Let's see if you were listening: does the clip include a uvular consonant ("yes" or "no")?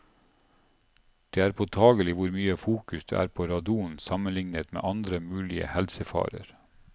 no